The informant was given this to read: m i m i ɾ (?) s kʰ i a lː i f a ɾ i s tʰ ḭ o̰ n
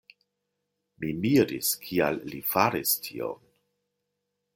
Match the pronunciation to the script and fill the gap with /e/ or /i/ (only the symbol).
i